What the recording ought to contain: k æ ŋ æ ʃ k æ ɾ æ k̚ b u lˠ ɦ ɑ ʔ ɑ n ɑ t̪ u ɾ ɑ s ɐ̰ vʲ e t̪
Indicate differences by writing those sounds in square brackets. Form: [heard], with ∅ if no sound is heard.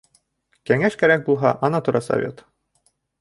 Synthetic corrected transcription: k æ ŋ æ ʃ k æ ɾ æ k̚ b u lˠ ɦ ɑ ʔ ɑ n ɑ t̪ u ɾ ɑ s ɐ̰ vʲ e t̪